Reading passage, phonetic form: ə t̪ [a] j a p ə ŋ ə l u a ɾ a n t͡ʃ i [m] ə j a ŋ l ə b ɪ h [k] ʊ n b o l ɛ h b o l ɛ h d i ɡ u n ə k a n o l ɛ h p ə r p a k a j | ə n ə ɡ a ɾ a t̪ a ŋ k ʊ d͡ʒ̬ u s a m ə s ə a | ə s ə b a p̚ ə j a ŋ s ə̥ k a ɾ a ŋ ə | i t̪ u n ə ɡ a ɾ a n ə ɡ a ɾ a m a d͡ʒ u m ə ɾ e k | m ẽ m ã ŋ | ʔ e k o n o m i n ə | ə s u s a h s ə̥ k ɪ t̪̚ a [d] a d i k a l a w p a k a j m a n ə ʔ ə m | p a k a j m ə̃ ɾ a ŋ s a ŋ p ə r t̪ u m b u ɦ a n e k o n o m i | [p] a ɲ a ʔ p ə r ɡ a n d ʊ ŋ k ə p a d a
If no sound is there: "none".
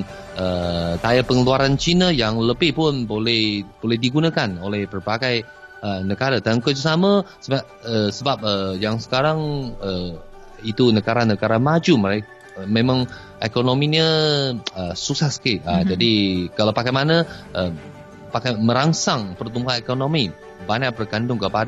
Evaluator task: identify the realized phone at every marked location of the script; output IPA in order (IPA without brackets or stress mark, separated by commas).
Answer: a, n, p, d͡ʒ, b